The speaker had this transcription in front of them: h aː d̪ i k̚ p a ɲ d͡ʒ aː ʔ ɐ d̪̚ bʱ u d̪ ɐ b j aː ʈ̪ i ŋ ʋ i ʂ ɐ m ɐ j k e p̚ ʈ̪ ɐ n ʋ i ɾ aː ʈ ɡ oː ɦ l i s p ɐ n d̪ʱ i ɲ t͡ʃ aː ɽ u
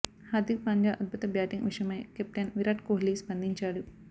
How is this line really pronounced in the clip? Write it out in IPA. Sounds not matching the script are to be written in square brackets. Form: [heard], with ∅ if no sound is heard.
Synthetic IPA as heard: h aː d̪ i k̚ p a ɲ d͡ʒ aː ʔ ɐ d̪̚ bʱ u [t̪] ɐ b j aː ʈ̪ i ŋ ʋ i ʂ ɐ m ɐ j k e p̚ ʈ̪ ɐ n ʋ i ɾ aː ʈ [k] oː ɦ l i s p ɐ n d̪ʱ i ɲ t͡ʃ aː ɽ u

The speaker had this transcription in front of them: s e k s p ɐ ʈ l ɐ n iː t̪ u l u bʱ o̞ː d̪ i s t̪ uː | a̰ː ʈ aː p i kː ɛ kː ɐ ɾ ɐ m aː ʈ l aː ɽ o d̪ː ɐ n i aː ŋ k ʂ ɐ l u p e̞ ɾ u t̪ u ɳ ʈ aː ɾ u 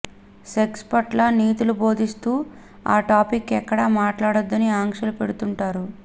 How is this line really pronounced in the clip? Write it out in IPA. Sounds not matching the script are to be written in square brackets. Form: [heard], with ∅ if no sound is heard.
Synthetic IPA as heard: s e k s p ɐ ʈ l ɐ n iː t̪ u l u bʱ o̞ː d̪ i s t̪ uː | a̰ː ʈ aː p i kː ɛ kː ɐ [ɽ] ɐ m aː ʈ l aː ɽ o d̪ː ɐ n i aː ŋ k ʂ ɐ l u p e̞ [ɽ] u t̪ u ɳ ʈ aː ɾ u

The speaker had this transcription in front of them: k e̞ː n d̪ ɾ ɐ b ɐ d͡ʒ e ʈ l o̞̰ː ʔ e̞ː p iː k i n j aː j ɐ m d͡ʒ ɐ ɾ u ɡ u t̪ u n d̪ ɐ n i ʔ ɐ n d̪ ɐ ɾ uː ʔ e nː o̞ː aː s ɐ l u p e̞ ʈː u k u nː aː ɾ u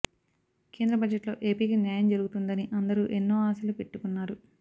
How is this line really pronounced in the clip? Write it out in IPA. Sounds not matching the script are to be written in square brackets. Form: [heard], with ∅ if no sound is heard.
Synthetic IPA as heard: k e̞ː n d̪ ɾ ɐ b ɐ d͡ʒ e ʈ l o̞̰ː ʔ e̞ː p iː k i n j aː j ɐ m d͡ʒ ɐ ɾ u ɡ u t̪ u n d̪ ɐ n i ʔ ɐ n d̪ ɐ ɾ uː ʔ e nː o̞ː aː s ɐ l u p e̞ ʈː u k u nː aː ɾ u

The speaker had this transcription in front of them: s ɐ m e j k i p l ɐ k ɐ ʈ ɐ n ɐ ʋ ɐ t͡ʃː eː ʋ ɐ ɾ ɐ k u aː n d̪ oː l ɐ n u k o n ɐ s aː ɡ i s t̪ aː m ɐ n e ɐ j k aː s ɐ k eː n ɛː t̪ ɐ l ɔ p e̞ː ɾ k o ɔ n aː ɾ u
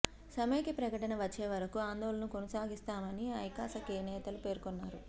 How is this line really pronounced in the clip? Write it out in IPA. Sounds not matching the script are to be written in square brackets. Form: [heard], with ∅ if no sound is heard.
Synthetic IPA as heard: s ɐ m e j k i p [ɾ] ɐ k ɐ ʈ ɐ n ɐ ʋ ɐ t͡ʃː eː ʋ ɐ ɾ ɐ k u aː n d̪ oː l ɐ n u k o n ɐ s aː ɡ i s t̪ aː m ɐ n [i] ɐ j k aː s ɐ k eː n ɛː t̪ ɐ l [u] p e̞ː ɾ k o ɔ [nː] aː ɾ u

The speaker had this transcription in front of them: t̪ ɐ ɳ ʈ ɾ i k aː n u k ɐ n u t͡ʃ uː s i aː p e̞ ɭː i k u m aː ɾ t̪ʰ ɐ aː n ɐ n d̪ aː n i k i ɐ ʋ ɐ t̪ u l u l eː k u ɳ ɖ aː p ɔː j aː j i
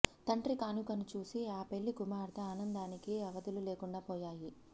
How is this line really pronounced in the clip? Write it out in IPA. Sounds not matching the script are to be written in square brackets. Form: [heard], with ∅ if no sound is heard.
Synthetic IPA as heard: t̪ ɐ ɳ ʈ ɾ i k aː n u k ɐ n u t͡ʃ uː s i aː p e̞ ɭː i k u m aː ɾ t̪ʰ ɐ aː n ɐ n d̪ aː n i k i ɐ ʋ ɐ [d̪] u l u l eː k u ɳ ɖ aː p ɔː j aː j i

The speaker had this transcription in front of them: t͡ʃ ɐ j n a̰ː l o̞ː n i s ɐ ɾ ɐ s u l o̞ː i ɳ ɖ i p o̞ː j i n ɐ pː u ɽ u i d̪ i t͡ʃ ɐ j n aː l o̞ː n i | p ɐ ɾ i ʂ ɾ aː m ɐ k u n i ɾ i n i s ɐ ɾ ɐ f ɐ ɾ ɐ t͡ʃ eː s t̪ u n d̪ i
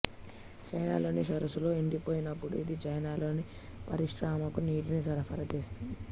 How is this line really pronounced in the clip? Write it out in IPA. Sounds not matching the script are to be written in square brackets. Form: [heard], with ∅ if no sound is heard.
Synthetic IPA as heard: t͡ʃ ɐ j n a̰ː l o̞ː n i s ɐ ɾ ɐ s u l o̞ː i ɳ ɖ i p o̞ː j i n ɐ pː u ɽ u i d̪ i t͡ʃ ɐ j n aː l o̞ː n i | p ɐ ɾ i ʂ ɾ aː m ɐ k u n [iː] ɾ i n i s ɐ ɾ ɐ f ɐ ɾ ɐ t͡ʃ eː s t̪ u n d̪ i

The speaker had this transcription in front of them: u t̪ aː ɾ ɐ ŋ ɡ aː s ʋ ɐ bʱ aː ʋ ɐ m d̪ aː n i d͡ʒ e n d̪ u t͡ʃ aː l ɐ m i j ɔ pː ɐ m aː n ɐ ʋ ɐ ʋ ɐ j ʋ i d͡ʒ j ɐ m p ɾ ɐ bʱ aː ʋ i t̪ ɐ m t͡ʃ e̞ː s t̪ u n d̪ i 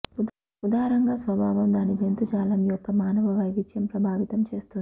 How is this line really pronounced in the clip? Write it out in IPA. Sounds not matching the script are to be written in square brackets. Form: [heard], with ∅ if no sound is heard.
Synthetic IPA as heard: u [d̪] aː ɾ ɐ ŋ ɡ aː s ʋ ɐ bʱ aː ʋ ɐ m d̪ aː n i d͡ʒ e n [t̪] u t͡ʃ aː l ɐ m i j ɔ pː ɐ m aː n ɐ ʋ ɐ ʋ ɐ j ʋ i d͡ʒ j ɐ m p ɾ ɐ bʱ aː ʋ i t̪ ɐ m t͡ʃ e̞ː s t̪ u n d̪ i

